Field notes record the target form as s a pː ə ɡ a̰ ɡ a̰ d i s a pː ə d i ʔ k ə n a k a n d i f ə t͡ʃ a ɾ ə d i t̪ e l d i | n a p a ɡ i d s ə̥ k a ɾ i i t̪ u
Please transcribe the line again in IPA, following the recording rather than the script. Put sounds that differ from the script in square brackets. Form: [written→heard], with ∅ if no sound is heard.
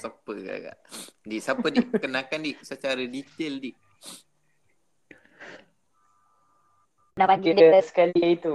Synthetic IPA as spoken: s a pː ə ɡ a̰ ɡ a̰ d i s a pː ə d i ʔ k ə n a k a n d i [f→s] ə t͡ʃ a ɾ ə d i t̪ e l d i | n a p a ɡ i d s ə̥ k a [ɾ→l] i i t̪ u